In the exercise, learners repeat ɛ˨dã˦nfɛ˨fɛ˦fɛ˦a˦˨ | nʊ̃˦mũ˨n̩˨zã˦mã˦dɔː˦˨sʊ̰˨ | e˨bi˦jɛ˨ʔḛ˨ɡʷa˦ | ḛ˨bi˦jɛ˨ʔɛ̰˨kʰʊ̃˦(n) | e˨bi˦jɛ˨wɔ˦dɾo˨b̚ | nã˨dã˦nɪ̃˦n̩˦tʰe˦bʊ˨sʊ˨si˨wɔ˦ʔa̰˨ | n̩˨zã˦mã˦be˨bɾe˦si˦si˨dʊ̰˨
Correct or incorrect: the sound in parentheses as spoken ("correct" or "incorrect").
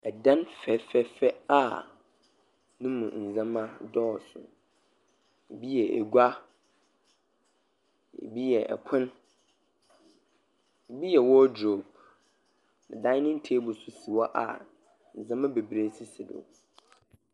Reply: correct